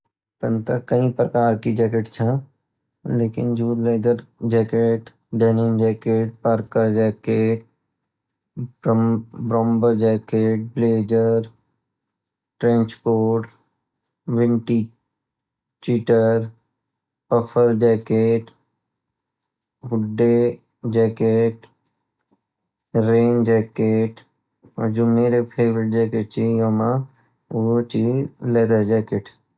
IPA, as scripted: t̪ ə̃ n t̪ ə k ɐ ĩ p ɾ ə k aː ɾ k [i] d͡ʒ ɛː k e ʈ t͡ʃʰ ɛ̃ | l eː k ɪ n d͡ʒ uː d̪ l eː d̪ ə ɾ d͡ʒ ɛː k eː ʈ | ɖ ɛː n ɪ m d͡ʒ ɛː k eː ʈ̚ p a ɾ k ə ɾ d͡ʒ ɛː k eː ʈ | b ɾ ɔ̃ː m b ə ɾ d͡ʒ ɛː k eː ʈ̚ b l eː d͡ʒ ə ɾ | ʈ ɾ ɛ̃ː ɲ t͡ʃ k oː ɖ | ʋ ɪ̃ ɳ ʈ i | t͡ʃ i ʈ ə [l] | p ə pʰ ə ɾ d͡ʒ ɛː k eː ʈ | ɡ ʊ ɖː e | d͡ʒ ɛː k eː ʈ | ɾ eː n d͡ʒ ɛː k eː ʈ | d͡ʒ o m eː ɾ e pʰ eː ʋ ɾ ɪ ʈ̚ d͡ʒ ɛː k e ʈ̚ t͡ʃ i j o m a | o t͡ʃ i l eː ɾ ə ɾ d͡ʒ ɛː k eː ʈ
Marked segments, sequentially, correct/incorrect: correct, incorrect: ɾ

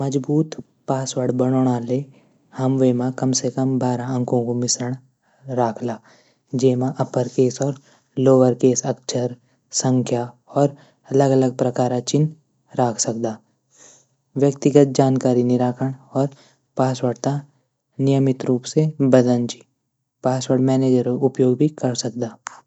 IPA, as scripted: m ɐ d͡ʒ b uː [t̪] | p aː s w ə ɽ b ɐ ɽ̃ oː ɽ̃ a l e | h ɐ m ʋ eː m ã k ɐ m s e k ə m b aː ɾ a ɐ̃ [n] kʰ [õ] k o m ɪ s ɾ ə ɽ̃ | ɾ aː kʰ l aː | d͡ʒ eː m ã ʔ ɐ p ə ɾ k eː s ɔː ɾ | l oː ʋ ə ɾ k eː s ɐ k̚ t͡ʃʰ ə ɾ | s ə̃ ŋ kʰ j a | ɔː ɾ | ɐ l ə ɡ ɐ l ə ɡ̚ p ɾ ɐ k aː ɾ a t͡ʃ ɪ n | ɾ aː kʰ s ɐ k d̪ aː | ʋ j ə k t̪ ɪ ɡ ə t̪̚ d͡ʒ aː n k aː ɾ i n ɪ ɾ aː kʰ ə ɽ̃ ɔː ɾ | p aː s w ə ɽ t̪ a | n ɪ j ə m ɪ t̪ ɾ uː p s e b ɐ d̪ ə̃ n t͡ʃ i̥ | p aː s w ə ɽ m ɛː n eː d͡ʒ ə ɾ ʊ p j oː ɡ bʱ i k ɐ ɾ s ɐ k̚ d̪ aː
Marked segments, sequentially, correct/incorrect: correct, incorrect: ŋ, correct

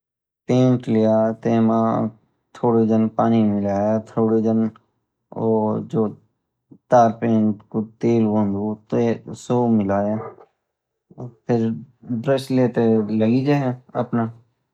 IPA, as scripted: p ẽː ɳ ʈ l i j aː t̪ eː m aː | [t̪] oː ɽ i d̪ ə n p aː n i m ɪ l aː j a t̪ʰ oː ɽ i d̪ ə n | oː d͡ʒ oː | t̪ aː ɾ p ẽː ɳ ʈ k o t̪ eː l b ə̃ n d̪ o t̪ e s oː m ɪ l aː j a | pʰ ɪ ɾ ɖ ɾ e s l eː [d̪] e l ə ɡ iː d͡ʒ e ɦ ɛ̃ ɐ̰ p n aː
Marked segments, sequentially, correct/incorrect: incorrect: t̪ʰ, incorrect: t̪

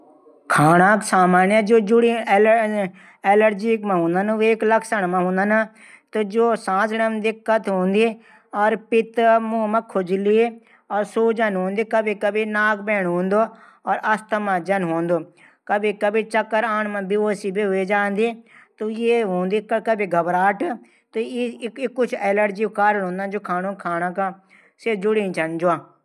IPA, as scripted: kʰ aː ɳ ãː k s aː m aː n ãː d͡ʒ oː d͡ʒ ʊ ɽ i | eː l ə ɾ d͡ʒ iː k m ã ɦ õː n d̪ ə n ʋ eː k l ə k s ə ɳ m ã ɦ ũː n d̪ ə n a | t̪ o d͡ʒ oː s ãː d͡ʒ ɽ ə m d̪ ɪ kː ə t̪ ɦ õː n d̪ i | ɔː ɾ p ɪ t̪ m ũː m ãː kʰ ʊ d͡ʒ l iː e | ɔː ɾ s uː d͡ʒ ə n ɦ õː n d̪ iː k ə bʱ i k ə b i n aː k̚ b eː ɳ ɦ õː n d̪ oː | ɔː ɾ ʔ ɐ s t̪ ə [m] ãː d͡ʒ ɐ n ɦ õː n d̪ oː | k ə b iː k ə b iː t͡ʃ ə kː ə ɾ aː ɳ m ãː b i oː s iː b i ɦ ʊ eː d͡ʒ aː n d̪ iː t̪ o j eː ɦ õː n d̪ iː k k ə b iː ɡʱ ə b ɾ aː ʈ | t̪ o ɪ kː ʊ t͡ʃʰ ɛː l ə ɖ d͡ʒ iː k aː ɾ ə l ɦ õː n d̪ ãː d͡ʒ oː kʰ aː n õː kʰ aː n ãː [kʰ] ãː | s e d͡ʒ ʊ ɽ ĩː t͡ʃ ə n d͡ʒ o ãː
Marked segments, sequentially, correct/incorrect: correct, incorrect: k

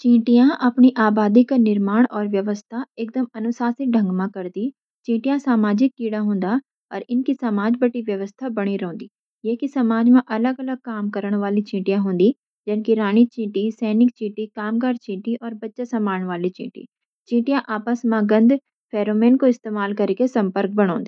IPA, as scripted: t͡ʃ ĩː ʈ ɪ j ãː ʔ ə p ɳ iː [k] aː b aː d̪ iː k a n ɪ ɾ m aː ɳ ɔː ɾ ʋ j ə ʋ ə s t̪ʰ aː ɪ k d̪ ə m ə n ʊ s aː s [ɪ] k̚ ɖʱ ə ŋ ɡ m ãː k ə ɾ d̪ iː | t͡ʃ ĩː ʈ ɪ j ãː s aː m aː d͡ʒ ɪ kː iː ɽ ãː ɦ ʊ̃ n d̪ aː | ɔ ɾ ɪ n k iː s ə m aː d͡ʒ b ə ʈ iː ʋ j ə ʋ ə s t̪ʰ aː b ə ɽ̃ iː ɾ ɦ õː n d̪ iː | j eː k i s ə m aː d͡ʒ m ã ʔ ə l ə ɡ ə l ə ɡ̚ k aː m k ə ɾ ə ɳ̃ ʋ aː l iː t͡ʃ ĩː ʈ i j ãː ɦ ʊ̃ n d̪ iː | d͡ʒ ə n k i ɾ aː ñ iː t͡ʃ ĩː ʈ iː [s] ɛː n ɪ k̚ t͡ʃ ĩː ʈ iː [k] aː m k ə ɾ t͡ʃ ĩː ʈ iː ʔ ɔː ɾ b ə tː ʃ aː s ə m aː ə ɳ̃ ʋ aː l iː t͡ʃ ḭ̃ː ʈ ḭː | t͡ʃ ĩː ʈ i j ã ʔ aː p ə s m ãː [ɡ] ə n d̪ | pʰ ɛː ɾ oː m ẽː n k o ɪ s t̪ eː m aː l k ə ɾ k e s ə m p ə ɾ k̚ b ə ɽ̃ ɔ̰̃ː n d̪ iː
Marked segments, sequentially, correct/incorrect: incorrect: ʔ, correct, correct, correct, correct

